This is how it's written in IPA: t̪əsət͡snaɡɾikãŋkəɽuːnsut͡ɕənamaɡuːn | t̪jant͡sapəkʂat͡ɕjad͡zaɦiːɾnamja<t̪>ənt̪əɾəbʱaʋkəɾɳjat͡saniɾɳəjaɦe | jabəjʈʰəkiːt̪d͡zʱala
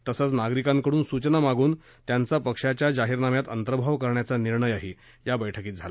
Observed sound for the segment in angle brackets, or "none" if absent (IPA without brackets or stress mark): t̪